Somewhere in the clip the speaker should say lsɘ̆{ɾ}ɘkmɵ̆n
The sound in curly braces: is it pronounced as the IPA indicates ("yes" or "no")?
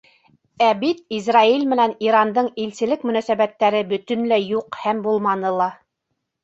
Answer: no